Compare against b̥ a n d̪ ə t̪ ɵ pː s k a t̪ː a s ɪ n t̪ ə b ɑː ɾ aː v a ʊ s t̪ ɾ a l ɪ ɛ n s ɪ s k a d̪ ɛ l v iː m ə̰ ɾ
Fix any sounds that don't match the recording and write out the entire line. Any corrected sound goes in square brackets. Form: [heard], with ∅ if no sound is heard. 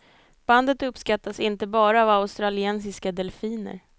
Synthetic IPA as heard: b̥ a n d̪ ə t̪ ɵ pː s k a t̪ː a s ɪ n t̪ ə b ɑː ɾ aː v a ʊ s t̪ ɾ a l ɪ ɛ n s ɪ s k a d̪ ɛ l [f] iː [n] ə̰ ɾ